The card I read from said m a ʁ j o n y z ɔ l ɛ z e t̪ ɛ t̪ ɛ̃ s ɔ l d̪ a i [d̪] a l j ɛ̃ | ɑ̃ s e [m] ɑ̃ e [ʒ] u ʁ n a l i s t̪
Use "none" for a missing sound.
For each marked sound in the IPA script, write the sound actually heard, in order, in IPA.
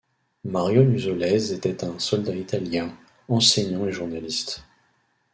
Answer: t̪, ɲ, ʒ

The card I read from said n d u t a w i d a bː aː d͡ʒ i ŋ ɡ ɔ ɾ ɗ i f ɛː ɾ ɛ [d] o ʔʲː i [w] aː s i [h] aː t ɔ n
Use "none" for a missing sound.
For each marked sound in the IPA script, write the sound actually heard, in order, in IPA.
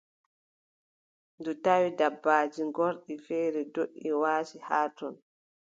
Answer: d, w, h

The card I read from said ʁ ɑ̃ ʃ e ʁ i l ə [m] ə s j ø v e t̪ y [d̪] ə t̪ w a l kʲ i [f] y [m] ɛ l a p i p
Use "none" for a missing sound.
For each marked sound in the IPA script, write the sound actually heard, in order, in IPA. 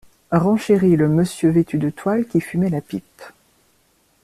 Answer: m, d̪, f, m

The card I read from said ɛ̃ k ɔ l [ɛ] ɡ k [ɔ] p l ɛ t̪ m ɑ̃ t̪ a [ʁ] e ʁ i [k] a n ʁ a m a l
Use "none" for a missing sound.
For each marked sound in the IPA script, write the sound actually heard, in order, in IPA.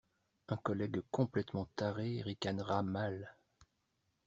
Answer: ɛ, ɔ̃, ʁ, k

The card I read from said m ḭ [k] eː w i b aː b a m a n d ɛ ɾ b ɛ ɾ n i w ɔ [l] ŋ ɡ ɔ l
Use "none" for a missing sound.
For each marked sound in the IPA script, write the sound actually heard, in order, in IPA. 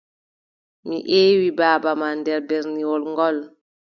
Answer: ʔ, l

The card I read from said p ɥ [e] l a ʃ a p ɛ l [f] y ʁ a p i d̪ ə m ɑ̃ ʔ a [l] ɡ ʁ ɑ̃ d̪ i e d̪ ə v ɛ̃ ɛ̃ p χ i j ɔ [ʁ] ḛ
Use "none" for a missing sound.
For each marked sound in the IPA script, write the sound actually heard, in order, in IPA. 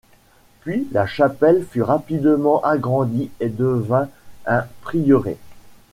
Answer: i, f, none, ʁ

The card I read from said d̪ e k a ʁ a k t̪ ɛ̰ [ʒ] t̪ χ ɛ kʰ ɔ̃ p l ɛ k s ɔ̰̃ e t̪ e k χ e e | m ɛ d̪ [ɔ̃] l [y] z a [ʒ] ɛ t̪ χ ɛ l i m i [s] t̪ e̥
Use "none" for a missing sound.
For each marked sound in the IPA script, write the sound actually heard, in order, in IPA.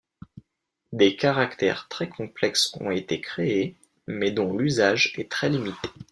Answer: ʁ, ɔ̃, y, ʒ, none

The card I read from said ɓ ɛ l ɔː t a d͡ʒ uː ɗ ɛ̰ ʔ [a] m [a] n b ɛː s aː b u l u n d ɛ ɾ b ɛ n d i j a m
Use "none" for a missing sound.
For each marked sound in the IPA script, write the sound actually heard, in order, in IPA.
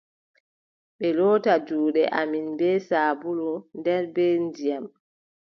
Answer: a, i

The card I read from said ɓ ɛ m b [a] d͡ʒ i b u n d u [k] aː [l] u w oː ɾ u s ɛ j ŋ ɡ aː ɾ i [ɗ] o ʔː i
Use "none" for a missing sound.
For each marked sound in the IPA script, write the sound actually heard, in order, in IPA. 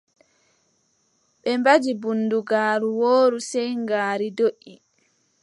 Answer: a, ɡ, ɾ, d

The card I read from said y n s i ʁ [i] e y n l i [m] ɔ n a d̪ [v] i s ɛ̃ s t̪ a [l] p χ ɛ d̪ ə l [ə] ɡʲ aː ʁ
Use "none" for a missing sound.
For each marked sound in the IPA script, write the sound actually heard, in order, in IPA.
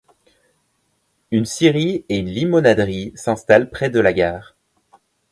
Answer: i, m, ʁ, l, a

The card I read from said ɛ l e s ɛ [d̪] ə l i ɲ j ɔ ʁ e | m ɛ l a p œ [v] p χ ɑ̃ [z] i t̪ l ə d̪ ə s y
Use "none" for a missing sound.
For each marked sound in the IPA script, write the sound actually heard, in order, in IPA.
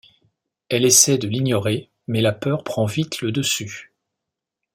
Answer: d̪, ʁ, v

